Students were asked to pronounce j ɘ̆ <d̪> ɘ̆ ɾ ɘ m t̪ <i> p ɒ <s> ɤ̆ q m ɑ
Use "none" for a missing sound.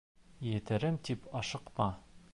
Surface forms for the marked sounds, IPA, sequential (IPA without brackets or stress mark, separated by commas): t̪, i, ʃ